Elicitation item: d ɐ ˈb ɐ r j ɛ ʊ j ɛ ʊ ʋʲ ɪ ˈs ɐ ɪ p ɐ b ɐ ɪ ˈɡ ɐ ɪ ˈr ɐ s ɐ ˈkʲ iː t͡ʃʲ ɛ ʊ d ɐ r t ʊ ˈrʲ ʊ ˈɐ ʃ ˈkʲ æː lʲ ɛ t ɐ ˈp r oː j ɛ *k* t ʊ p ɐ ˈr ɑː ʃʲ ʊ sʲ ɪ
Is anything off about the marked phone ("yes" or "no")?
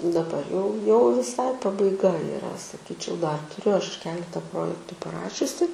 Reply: no